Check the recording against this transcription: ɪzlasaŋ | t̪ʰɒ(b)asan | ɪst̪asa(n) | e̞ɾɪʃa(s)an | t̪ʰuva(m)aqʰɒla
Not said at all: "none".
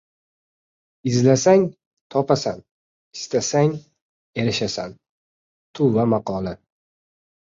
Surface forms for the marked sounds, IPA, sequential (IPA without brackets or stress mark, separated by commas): p, ŋ, s, m